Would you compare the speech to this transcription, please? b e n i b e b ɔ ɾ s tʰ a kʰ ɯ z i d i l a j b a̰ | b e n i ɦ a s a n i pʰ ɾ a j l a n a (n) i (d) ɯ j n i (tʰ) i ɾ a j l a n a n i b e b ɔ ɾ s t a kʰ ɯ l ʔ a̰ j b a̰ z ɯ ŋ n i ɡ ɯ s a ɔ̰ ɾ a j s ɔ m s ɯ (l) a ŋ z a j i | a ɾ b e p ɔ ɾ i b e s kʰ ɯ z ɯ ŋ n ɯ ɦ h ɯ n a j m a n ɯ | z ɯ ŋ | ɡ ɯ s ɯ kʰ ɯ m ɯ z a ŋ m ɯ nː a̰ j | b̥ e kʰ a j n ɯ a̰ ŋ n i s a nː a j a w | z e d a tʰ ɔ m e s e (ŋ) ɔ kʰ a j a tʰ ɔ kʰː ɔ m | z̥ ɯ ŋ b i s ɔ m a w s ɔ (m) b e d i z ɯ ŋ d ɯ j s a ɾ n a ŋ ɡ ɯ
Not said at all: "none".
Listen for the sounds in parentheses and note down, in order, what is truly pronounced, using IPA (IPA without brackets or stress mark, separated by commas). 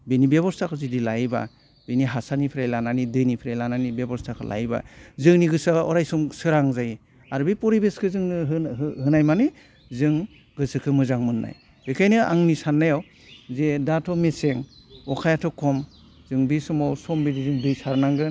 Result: n, d, pʰ, ɾ, ŋ, m